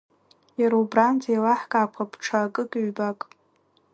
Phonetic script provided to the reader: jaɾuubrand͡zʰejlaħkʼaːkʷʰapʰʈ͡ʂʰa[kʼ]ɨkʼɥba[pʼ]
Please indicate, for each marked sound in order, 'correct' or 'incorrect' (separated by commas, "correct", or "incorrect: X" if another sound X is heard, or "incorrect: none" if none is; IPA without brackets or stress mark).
correct, incorrect: kʼ